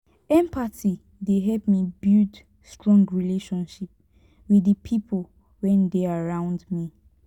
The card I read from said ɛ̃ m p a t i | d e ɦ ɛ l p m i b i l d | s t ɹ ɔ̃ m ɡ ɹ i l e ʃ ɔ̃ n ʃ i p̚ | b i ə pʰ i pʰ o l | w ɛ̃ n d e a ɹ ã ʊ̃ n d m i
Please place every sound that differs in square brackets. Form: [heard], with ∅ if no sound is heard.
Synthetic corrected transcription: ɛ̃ m p a t i | d e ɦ ɛ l p m i b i l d | s t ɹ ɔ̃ [ŋ] ɡ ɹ i l e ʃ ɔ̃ n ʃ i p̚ | [w] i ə pʰ i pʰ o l | w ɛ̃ n d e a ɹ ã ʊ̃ n d m i